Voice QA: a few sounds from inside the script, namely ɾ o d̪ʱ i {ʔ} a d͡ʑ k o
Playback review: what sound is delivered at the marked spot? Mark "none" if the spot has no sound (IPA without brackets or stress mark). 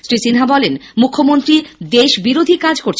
k